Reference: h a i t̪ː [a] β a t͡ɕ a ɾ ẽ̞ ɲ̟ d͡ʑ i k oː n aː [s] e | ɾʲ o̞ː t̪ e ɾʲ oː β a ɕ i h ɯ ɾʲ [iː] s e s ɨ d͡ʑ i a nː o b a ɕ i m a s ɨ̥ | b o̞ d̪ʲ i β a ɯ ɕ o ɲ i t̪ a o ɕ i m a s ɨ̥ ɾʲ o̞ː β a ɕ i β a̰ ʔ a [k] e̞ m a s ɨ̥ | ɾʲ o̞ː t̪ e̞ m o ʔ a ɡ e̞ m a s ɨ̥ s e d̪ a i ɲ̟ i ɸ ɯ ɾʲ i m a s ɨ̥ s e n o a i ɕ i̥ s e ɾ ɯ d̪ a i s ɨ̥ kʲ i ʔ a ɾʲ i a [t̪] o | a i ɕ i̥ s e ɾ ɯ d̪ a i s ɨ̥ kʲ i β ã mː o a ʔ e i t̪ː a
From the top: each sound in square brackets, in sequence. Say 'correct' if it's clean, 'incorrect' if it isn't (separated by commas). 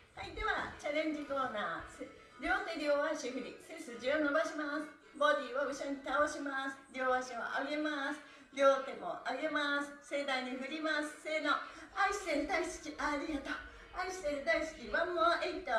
incorrect, correct, incorrect, incorrect, correct